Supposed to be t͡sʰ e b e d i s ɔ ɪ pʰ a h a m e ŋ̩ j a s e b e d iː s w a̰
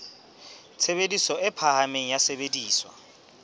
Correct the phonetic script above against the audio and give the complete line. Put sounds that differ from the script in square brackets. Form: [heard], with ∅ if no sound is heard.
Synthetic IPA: t͡sʰ e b e d i s ɔ ɪ pʰ a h a m e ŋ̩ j a s e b e d iː s w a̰